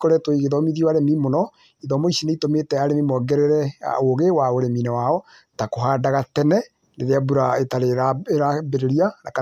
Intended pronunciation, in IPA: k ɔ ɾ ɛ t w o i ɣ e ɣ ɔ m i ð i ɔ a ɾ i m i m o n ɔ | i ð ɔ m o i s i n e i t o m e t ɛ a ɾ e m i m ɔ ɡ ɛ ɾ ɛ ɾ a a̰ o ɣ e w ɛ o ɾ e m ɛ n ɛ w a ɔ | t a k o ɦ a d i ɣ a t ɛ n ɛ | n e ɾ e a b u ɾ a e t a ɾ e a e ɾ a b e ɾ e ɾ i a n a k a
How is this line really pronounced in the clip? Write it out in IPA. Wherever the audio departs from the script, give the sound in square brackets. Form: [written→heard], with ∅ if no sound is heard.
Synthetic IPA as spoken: k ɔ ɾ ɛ t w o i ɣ e [ɣ→ð] ɔ m i ð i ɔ a ɾ [i→e] m i m o n ɔ | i ð ɔ m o i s i n e i t o m e t ɛ a ɾ e m i m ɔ ɡ ɛ ɾ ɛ ɾ [a→ɛ] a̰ o ɣ e w [ɛ→a] o ɾ e m [ɛ→i] n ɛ w a ɔ | t a k o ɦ a d [i→a] ɣ a t ɛ n ɛ | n e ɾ e a b u ɾ a e t a ɾ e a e ɾ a b e ɾ e ɾ i a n a k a